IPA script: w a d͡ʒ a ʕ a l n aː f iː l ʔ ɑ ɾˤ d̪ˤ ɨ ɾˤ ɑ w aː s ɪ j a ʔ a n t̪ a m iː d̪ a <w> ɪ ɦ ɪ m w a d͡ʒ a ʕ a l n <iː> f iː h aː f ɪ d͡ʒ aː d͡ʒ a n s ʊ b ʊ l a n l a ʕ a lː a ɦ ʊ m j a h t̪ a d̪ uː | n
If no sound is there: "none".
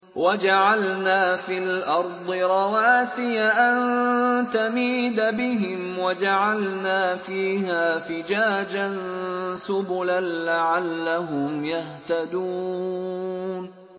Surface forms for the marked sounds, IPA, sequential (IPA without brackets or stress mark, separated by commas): b, aː